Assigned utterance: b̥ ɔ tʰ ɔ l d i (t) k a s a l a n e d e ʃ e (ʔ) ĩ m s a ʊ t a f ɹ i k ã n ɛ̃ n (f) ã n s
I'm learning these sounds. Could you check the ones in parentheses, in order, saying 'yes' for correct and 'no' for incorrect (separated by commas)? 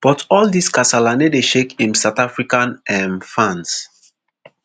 no, no, yes